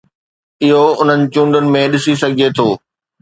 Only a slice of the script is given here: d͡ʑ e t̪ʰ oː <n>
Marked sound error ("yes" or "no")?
yes